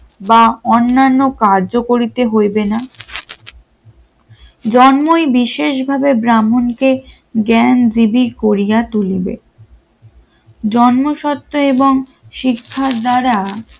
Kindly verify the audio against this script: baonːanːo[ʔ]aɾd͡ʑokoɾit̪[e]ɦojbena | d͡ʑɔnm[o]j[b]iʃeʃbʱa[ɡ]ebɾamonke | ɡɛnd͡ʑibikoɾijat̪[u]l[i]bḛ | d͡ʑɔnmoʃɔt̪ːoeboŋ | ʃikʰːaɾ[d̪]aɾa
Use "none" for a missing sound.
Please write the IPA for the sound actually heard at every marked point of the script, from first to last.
k, e, o, b, b, u, i, d̪

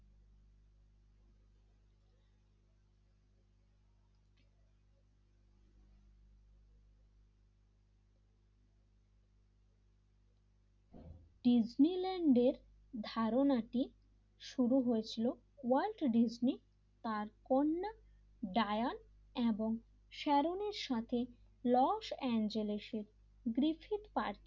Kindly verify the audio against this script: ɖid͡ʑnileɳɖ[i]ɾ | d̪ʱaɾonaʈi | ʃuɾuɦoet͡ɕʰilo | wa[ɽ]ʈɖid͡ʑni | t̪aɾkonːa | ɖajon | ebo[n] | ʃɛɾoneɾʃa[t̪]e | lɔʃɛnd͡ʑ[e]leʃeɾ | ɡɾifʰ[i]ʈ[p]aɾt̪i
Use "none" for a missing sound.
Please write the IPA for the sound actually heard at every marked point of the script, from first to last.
e, l, ŋ, t̪ʰ, e, i, p

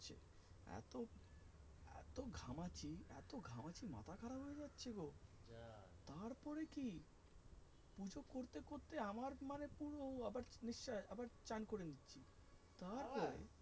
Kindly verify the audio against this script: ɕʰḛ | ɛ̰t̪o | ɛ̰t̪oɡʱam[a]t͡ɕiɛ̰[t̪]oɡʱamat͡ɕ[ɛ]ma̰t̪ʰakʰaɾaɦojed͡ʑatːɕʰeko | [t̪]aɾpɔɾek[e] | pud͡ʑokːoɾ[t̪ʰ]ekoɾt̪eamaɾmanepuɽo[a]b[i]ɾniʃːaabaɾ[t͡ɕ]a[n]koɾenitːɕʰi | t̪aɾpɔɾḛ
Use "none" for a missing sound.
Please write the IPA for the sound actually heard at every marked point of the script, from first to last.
a, t̪, i, t̪, i, t̪, a, a, t͡ɕ, n

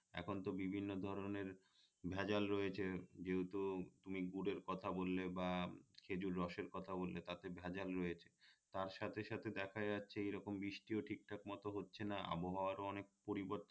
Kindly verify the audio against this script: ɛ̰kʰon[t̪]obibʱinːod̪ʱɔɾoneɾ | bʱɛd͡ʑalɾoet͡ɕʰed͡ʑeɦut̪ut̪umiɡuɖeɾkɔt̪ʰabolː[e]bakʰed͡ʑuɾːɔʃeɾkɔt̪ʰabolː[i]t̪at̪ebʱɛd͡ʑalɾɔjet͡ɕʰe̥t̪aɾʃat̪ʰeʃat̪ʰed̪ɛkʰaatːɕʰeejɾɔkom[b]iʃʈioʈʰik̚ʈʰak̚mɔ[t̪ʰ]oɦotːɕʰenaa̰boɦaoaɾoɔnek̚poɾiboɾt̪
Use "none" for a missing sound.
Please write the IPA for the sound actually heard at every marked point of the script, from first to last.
t̪, e, e, b, t̪

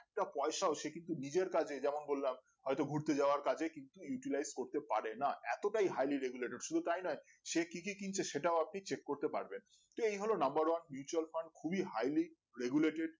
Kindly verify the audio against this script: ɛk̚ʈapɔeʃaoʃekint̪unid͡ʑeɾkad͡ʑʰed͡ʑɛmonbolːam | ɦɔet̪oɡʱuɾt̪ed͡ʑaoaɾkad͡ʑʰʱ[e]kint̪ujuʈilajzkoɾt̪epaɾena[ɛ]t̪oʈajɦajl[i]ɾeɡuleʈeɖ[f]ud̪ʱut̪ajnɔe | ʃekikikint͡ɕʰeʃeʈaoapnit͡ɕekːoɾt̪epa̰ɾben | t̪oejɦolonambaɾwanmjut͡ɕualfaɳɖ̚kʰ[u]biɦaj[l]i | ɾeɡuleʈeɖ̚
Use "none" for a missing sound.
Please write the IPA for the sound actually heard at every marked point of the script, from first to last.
e, ɛ, i, ʃ, u, l

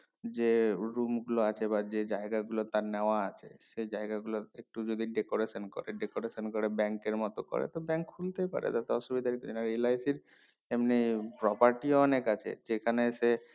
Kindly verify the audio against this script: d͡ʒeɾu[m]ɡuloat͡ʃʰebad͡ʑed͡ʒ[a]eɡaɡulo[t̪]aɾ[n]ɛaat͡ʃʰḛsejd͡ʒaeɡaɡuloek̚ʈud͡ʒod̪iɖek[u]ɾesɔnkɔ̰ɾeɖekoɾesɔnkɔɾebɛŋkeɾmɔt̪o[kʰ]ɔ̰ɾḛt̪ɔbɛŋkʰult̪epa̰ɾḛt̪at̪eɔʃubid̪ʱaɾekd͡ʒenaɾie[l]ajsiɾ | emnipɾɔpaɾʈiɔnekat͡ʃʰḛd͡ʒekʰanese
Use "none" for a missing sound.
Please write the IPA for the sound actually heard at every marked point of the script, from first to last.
m, a, t̪, n, o, k, l

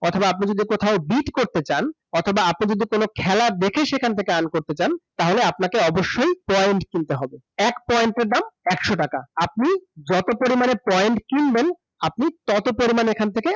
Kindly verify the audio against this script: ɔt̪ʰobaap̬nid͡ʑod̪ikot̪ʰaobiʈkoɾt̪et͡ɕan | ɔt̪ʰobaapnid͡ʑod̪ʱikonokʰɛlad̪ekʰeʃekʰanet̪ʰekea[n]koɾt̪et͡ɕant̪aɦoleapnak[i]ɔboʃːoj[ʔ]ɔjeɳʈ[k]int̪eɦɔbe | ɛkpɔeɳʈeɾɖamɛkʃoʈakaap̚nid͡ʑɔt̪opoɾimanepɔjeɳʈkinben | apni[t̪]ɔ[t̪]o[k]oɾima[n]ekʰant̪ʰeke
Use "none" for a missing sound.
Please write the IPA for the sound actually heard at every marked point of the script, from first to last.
n, e, p, k, t̪, t̪, p, n

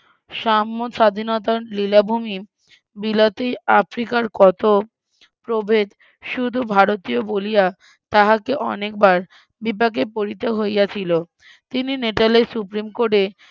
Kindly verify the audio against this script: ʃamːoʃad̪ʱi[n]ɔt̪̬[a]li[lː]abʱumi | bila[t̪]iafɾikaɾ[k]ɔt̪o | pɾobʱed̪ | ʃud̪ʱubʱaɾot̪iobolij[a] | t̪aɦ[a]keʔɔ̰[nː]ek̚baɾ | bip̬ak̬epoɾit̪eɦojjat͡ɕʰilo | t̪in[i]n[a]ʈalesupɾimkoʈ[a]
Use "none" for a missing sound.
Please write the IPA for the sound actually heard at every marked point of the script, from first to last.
n, a, l, t̪, k, a, a, n, i, e, e

